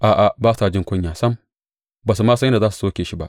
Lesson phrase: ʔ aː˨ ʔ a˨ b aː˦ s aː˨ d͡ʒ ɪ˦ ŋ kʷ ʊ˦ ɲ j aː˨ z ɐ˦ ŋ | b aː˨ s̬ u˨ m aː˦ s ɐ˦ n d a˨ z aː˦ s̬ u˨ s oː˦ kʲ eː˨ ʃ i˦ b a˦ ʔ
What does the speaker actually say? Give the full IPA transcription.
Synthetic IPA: ʔ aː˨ ʔ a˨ b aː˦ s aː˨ d͡ʒ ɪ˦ ŋ kʷ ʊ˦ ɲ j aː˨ s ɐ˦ m | b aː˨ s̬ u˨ m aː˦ s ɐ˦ n d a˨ z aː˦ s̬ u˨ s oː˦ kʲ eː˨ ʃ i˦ b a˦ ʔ